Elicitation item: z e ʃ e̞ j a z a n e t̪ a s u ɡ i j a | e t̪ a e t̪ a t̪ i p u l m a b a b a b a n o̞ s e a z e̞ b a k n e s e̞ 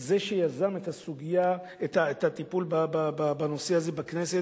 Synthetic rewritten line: z e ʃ e̞ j a z a m e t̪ a s u ɡ i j a | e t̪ a e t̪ a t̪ i p u l b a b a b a b a n o̞ s e a z e̞ b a k n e s e̞